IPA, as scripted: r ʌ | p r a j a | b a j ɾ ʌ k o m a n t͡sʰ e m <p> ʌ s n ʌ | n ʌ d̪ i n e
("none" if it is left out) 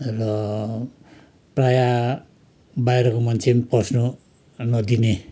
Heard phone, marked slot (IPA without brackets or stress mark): p